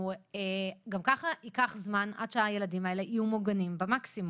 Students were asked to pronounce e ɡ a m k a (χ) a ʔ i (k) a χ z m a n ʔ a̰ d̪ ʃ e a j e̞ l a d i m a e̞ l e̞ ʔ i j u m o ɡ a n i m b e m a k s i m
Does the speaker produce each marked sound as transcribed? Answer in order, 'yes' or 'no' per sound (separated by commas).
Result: yes, yes